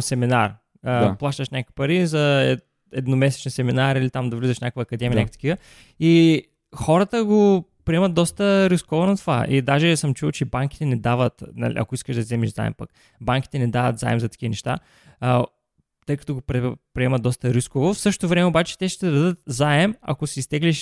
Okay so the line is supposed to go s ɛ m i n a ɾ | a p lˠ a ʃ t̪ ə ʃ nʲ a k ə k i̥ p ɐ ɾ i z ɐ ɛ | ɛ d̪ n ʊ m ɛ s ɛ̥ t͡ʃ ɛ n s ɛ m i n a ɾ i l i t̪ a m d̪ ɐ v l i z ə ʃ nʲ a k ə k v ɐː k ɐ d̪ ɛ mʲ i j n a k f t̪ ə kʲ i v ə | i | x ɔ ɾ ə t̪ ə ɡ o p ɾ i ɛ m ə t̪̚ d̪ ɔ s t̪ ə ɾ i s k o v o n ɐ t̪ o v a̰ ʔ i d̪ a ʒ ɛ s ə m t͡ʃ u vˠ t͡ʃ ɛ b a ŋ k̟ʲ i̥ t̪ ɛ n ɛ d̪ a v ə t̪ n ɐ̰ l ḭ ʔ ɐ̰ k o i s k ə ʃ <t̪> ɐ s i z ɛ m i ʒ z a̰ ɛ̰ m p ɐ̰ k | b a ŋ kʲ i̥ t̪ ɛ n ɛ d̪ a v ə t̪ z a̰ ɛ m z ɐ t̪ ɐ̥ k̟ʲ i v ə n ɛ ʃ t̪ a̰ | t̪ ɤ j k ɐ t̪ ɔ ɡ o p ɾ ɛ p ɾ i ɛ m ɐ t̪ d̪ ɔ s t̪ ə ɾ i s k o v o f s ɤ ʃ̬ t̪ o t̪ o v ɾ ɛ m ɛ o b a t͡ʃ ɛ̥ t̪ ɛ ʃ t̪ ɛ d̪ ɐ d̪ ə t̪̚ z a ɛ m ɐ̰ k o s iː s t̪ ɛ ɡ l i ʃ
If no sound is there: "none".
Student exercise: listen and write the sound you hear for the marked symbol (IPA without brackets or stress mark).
d̪